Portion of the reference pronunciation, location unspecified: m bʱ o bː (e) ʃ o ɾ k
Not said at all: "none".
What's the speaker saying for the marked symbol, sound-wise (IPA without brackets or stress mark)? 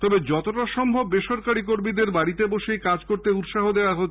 e